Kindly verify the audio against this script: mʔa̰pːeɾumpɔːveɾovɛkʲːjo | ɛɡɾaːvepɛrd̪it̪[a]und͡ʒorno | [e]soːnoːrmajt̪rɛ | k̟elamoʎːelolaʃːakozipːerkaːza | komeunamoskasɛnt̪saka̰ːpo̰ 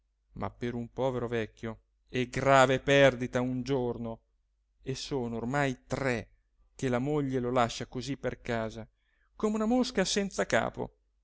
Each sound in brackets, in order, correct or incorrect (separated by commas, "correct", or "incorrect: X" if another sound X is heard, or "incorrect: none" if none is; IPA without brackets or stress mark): correct, correct